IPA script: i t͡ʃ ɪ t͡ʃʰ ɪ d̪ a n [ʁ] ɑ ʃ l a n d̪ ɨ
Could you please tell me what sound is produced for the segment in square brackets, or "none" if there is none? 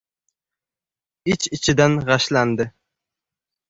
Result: ʁ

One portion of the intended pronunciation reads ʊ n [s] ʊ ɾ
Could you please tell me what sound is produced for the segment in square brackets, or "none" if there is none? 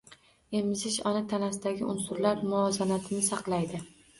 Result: s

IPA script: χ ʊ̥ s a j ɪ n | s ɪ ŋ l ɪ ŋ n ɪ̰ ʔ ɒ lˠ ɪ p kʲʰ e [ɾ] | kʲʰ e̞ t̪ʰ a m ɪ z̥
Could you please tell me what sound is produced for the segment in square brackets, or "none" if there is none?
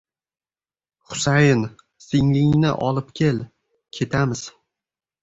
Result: l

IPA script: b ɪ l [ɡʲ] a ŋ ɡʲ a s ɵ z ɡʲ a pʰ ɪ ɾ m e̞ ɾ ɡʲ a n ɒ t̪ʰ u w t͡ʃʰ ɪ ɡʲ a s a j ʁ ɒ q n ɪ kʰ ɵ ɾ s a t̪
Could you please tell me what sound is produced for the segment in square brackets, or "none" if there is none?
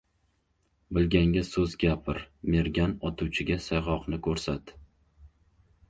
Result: ɡʲ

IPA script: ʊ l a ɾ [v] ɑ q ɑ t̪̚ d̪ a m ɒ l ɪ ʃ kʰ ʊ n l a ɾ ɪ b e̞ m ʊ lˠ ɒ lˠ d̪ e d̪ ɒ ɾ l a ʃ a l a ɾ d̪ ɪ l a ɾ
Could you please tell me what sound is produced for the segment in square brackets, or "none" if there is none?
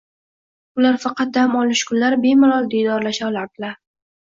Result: f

